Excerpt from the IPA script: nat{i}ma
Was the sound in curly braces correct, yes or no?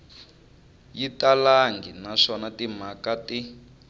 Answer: yes